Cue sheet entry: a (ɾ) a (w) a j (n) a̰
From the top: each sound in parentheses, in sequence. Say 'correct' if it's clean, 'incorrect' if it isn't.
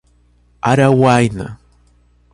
correct, correct, correct

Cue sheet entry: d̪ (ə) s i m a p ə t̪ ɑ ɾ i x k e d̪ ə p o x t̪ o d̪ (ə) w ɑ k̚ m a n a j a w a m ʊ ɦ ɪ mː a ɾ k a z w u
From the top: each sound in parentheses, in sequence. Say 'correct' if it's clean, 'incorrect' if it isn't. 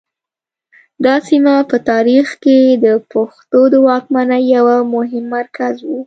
incorrect, correct

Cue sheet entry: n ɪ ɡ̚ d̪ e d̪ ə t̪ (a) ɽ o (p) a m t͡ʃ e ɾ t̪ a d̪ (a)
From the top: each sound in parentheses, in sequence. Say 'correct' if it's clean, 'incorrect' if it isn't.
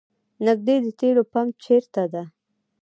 incorrect, correct, correct

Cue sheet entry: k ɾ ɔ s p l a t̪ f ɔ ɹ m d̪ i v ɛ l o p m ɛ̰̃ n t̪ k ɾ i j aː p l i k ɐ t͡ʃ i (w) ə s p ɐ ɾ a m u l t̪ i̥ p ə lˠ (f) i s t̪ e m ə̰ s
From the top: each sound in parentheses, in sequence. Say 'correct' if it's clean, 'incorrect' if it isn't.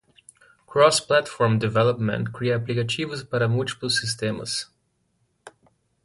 incorrect, incorrect

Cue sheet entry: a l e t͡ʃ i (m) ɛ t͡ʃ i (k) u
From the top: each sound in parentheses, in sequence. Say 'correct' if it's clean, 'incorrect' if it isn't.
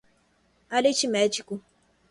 correct, correct

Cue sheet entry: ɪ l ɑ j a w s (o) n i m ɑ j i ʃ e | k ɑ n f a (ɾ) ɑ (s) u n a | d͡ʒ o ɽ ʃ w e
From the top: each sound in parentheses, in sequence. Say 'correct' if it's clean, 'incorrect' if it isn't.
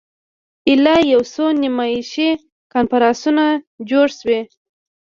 correct, correct, correct

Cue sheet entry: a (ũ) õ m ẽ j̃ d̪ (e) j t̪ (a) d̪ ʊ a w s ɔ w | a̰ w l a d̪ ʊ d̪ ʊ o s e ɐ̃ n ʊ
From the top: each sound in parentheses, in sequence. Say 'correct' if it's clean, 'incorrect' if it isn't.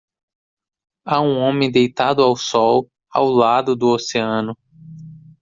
correct, correct, correct

